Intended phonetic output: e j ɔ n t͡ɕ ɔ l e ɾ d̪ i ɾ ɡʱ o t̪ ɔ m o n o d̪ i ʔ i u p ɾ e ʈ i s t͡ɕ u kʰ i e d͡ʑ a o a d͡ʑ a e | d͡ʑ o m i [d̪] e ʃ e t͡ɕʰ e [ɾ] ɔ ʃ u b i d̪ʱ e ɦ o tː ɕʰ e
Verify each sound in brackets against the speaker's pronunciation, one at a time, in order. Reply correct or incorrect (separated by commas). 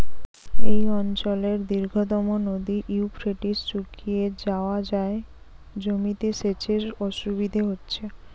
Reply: incorrect, correct